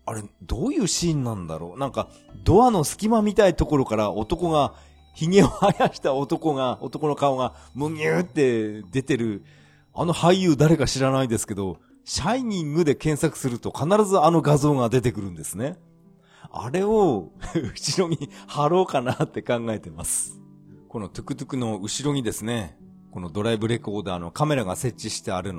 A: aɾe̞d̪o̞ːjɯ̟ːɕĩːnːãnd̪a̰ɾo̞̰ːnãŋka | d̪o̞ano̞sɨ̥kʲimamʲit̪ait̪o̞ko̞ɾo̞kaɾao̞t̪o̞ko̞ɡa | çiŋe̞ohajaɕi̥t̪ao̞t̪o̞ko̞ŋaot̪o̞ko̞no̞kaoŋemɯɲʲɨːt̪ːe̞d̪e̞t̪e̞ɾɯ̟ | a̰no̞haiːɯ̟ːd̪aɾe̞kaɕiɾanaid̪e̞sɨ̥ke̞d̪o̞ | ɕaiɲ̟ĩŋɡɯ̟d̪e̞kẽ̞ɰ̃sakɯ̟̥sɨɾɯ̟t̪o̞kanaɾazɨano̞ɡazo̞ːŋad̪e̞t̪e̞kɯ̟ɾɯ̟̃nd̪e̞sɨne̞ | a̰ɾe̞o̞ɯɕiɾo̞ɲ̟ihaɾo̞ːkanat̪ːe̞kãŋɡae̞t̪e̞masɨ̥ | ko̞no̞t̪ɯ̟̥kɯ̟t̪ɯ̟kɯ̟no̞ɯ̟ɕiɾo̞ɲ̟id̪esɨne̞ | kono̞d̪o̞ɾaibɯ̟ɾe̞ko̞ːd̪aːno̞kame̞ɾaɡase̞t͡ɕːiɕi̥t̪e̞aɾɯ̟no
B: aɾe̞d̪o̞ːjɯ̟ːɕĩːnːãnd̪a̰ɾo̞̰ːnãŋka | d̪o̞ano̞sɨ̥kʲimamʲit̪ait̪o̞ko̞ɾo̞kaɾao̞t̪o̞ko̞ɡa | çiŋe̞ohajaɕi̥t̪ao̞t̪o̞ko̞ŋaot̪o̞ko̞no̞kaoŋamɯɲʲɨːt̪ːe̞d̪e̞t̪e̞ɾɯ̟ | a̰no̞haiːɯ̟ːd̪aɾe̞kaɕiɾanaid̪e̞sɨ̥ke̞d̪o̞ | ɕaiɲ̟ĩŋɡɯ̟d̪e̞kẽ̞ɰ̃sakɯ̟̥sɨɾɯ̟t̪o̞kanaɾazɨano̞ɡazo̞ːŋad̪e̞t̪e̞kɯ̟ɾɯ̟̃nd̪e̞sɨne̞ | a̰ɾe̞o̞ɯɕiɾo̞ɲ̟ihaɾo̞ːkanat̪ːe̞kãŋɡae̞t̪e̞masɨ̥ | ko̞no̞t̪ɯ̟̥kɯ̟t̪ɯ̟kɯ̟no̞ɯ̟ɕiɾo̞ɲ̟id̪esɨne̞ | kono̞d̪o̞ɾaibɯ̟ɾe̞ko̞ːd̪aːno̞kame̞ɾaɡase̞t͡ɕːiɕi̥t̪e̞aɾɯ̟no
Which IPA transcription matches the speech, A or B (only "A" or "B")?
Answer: B